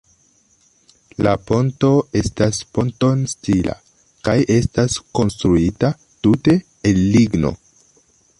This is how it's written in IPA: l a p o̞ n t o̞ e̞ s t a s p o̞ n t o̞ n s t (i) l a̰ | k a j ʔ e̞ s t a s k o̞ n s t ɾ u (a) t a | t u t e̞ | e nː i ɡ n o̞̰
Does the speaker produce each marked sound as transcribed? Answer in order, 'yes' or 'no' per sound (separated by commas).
yes, no